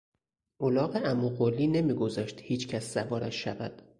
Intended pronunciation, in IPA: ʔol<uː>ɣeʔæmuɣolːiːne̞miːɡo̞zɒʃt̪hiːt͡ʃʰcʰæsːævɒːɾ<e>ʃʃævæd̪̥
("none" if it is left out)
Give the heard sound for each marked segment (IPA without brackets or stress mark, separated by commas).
ɒː, æ